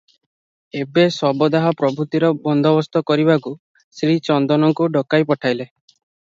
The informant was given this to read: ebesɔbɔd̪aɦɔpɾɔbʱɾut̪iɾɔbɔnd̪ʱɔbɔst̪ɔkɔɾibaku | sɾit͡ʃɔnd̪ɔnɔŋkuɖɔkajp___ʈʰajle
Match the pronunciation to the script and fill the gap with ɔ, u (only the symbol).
ɔ